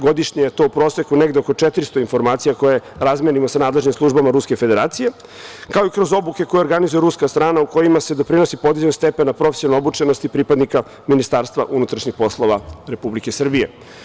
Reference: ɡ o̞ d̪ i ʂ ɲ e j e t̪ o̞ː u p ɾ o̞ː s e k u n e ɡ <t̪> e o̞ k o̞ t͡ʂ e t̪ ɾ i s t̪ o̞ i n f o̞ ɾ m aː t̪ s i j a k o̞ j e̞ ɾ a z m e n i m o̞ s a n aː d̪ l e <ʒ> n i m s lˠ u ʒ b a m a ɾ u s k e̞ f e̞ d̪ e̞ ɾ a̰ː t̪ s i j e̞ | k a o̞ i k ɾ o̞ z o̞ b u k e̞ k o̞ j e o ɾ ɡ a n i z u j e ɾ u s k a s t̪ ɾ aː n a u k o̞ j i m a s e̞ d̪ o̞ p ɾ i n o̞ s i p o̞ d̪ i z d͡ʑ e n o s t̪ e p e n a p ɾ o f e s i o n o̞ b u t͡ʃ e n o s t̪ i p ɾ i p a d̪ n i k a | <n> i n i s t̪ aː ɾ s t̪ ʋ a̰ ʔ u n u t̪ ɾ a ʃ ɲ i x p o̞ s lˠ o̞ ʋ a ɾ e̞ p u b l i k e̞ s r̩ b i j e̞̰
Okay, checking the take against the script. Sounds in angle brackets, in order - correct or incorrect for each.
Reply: incorrect, correct, incorrect

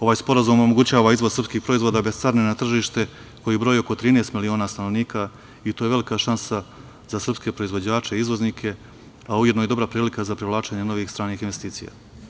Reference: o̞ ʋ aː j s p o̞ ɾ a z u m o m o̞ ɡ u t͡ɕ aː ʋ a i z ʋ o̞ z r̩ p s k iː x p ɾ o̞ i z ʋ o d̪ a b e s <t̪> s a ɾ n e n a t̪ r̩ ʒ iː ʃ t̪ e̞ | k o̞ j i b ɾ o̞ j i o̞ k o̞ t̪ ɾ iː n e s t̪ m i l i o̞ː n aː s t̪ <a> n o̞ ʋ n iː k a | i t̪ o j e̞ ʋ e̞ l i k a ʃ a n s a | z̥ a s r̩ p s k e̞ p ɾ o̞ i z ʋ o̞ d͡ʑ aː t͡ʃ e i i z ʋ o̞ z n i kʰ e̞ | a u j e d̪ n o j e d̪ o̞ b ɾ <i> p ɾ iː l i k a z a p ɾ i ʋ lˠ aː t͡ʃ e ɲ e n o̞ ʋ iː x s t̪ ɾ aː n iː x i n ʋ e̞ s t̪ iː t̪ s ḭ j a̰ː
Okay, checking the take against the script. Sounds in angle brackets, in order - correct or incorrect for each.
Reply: correct, correct, incorrect

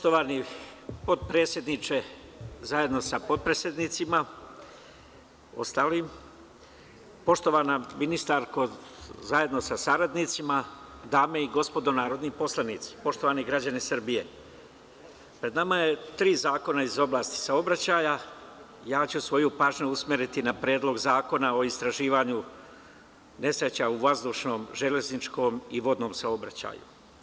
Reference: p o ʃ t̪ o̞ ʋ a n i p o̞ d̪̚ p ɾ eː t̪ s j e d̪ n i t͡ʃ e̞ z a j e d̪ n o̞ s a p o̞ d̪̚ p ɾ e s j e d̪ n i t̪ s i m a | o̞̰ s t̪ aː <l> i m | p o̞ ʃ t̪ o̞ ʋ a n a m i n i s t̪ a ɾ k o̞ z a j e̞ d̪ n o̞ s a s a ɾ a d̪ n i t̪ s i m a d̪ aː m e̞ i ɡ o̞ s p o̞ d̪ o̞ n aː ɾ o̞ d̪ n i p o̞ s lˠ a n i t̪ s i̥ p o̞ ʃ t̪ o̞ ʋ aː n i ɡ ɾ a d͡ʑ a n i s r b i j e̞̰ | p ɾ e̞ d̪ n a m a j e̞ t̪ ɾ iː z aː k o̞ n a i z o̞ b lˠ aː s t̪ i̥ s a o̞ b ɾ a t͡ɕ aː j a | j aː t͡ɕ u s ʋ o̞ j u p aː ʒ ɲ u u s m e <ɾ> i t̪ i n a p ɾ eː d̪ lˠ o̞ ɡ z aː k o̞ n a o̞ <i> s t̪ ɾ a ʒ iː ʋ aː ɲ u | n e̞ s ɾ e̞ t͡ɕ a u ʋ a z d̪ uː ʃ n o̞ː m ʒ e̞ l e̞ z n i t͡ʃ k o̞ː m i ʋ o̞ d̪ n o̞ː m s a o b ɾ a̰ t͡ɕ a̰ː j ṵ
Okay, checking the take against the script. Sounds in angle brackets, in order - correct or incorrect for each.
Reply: correct, correct, correct

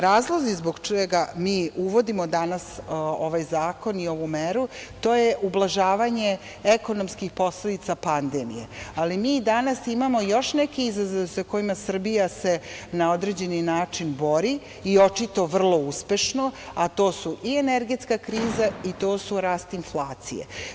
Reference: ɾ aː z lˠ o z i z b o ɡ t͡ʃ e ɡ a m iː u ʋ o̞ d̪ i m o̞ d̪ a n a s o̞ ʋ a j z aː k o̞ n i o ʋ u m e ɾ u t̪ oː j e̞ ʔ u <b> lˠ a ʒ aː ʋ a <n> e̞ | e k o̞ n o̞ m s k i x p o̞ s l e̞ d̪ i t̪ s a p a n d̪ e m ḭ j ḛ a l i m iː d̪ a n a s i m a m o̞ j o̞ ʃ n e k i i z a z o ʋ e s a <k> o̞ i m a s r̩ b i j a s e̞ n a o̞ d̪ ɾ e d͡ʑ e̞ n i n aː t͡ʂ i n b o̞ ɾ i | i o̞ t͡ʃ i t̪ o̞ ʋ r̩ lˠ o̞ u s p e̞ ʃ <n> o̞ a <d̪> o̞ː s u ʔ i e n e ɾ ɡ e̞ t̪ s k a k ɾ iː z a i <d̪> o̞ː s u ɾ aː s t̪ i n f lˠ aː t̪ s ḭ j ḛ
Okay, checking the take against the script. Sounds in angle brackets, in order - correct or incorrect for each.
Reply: correct, incorrect, correct, correct, incorrect, incorrect

